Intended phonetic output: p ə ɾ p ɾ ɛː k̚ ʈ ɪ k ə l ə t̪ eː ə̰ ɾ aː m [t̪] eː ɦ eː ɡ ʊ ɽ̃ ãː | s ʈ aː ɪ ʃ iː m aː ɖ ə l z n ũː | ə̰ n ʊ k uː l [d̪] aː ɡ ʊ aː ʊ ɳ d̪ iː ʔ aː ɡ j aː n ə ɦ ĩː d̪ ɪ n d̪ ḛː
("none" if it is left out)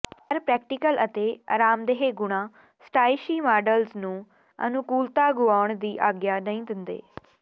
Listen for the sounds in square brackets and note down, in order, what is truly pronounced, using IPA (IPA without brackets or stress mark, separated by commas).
d̪, t̪